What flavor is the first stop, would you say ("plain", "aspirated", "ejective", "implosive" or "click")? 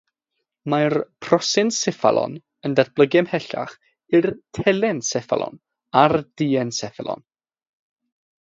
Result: aspirated